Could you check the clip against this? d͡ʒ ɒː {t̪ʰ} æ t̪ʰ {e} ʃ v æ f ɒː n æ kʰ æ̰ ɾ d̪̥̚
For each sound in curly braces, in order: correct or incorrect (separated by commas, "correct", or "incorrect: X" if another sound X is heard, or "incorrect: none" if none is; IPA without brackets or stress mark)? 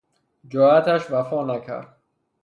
incorrect: none, incorrect: æ